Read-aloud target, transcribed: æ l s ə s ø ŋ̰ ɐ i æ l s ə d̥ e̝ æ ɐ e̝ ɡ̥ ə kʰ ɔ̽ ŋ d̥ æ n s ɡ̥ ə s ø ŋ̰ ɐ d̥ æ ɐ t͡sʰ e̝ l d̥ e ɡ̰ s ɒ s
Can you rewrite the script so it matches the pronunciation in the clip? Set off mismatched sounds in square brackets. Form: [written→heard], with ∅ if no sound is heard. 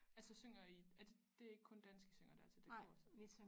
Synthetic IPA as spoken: æ l s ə s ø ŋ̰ ɐ i æ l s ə d̥ e̝ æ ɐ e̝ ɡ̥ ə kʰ ɔ̽ [ŋ→n] d̥ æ n s ɡ̥ ə s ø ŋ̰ ɐ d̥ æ ɐ t͡sʰ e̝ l d̥ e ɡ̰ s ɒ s